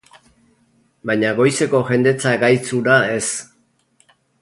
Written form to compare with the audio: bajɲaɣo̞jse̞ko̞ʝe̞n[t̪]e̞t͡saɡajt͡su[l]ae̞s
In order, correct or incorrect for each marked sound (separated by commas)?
incorrect, incorrect